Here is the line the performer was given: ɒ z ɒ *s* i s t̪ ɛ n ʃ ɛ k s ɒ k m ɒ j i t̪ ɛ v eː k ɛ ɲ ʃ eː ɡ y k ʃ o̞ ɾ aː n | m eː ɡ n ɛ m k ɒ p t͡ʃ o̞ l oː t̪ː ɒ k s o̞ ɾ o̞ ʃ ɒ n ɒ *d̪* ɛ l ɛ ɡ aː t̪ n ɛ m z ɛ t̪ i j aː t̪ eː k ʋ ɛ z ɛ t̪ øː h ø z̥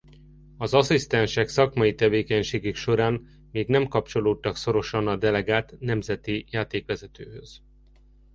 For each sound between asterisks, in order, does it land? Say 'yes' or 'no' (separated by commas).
yes, yes